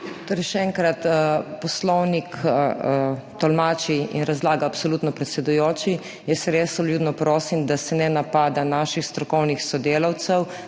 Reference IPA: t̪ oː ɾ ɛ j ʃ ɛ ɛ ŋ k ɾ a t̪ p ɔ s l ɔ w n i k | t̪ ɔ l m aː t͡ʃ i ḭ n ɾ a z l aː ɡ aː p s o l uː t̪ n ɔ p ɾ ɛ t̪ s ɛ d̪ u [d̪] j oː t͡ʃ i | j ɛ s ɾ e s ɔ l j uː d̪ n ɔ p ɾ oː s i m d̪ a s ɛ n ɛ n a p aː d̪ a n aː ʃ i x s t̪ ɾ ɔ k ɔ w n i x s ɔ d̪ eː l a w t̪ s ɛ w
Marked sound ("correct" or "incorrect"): incorrect